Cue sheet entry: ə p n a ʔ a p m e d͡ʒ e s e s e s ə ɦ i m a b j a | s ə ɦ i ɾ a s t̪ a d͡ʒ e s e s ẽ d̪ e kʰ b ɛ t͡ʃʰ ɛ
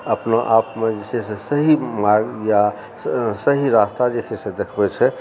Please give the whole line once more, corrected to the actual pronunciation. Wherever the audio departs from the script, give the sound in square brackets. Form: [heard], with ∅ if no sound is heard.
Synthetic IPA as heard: ə p n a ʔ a p m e d͡ʒ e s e s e s ə ɦ i m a [ɡ] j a | s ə ɦ i ɾ a s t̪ a d͡ʒ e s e s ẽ d̪ e kʰ b ɛ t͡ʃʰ ɛ